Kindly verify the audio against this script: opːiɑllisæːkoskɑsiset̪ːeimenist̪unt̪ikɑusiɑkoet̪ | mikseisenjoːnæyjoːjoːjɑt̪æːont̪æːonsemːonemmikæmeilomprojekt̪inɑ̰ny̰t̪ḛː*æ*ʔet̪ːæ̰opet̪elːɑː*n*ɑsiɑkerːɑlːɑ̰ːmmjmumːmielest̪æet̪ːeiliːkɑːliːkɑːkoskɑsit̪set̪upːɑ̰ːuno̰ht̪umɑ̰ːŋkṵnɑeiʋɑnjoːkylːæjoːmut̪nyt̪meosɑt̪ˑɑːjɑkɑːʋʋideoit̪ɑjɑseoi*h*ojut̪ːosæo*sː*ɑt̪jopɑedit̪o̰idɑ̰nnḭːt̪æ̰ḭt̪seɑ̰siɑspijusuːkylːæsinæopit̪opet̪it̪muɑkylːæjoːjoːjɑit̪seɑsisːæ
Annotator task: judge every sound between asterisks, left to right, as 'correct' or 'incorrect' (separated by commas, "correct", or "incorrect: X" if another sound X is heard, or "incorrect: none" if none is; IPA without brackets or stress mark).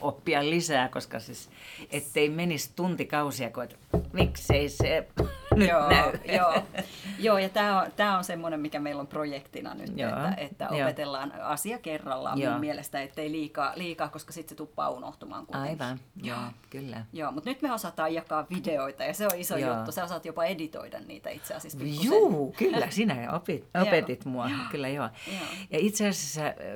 correct, correct, incorrect: s, incorrect: s